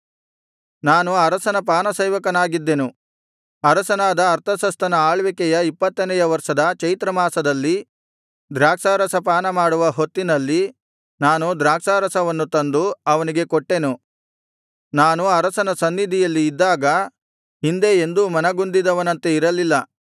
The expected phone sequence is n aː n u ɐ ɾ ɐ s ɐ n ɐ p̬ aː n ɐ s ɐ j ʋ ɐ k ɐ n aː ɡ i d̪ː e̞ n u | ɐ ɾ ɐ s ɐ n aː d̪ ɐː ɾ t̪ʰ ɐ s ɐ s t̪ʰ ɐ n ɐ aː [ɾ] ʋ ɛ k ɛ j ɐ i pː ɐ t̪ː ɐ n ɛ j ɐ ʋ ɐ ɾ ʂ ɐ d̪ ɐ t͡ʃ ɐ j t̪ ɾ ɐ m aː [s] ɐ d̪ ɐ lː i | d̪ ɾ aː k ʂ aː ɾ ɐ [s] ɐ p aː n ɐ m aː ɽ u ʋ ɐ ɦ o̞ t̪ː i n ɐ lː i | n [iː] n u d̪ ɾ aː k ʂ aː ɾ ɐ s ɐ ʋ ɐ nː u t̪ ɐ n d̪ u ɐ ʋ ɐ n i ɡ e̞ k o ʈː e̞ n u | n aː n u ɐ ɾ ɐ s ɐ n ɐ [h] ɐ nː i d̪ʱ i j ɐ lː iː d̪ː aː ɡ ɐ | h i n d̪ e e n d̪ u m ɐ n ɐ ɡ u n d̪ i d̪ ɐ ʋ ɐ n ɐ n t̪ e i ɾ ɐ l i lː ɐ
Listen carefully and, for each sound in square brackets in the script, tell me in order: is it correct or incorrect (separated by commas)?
incorrect, correct, correct, incorrect, incorrect